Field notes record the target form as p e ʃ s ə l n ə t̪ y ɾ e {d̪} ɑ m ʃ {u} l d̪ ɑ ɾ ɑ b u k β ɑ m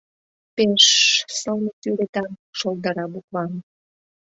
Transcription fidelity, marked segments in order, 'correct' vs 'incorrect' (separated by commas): incorrect, incorrect